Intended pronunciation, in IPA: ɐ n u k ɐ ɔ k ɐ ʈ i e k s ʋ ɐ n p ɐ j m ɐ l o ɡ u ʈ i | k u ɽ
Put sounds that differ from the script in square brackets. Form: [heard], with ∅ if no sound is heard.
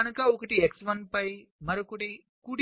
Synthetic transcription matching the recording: ɐ n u k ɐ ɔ k ɐ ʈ i e k s ʋ ɐ n p ɐ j m ɐ [ɾ] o [k] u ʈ i | k u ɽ